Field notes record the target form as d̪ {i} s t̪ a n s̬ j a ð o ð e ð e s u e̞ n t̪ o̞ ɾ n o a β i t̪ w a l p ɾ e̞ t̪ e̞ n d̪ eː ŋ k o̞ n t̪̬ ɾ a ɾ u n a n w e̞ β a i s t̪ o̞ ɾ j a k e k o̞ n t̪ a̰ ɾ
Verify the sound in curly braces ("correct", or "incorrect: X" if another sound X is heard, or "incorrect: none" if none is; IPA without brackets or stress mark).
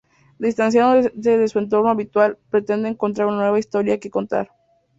correct